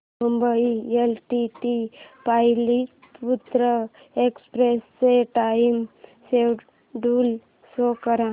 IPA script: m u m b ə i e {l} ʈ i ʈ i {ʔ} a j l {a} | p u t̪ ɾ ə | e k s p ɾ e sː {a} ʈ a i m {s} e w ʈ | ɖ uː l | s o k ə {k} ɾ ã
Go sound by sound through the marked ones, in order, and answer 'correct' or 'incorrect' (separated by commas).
correct, incorrect, incorrect, incorrect, correct, incorrect